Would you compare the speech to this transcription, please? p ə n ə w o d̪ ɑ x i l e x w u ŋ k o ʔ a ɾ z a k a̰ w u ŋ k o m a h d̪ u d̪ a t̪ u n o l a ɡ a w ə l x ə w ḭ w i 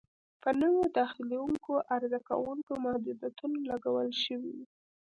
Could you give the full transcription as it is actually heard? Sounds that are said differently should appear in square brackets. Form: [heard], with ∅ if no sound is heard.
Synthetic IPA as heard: p ə n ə w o d̪ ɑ x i l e [∅] w u ŋ k o ʔ a ɾ z a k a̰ w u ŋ k o m a h d̪ u d̪ a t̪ u n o l a ɡ a w ə l [ʃ] ə w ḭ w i